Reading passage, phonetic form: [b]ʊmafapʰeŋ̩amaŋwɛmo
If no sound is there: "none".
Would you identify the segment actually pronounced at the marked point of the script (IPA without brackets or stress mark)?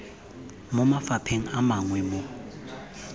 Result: m